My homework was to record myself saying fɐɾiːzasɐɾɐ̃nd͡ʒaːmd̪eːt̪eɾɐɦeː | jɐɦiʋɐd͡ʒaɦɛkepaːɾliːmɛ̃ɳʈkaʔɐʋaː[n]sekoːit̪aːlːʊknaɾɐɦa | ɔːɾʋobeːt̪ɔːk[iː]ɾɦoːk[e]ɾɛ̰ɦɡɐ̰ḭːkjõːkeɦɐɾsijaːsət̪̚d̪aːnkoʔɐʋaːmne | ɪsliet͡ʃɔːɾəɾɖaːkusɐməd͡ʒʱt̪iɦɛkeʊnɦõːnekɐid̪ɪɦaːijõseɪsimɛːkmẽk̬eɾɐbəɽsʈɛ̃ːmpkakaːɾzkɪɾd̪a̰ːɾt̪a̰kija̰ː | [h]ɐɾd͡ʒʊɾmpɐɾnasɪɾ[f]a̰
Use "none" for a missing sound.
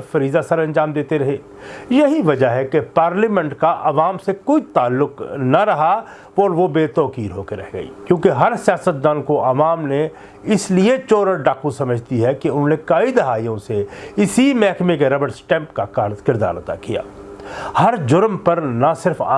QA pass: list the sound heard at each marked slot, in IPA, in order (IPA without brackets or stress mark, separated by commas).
m, iː, e, h, f